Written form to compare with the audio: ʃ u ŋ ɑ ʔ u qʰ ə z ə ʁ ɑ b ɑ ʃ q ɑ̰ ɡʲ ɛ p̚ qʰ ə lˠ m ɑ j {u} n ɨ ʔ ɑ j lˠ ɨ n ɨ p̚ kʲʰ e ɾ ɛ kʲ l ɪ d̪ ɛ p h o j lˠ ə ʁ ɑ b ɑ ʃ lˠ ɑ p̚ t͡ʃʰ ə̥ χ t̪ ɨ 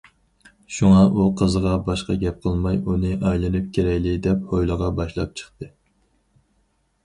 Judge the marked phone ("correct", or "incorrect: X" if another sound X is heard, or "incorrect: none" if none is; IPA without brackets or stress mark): correct